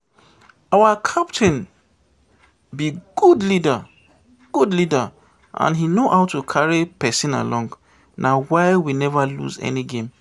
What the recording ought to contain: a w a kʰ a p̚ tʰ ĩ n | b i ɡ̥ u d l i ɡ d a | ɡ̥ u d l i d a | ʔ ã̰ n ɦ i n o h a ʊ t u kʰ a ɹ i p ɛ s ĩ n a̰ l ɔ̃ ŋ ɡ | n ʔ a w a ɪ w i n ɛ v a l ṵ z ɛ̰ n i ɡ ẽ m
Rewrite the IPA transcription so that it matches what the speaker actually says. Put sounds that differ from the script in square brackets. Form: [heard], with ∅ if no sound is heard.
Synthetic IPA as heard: a w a kʰ a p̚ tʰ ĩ n | b i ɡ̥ u d l i [∅] d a | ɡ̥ u d l i d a | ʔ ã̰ n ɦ i n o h a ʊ t u kʰ a ɹ i p ɛ s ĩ n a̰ l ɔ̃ ŋ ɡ | n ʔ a w a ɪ w i n ɛ v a l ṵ z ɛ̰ n i ɡ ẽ m